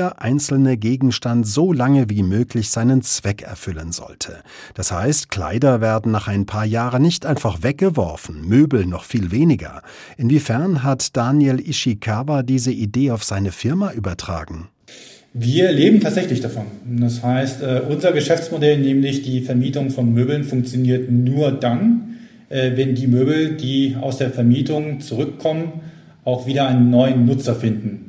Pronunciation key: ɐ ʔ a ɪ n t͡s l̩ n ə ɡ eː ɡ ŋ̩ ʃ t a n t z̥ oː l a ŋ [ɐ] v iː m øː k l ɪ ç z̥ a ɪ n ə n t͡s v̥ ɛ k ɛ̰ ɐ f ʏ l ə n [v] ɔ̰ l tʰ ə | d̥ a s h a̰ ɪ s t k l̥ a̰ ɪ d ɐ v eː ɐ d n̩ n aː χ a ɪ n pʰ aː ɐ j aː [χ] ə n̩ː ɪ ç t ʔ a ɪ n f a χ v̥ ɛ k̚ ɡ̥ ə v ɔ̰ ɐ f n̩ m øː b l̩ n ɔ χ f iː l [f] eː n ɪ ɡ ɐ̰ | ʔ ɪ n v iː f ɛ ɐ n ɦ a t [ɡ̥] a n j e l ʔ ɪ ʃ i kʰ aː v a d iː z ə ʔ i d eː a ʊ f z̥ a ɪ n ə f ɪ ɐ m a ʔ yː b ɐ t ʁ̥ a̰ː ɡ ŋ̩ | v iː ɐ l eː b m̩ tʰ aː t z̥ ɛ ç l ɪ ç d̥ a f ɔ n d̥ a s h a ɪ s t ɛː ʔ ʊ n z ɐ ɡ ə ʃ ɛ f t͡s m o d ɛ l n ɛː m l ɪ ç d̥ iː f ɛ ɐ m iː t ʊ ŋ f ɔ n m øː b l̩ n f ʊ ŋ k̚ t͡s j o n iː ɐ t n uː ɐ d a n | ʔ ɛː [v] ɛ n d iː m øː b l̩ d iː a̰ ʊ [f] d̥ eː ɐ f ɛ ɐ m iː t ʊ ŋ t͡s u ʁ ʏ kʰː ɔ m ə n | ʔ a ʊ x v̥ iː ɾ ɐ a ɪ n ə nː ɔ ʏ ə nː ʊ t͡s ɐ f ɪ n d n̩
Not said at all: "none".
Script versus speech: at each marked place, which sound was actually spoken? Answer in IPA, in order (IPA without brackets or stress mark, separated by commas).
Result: ə, z, ʁ, v, d̥, v, s